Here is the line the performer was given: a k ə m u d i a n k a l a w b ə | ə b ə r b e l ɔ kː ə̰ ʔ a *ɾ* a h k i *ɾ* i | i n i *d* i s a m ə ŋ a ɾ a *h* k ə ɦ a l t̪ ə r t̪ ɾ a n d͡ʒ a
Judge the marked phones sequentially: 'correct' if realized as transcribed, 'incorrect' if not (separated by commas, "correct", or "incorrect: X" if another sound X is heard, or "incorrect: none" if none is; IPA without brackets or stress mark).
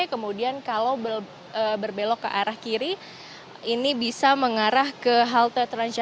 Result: correct, correct, incorrect: b, correct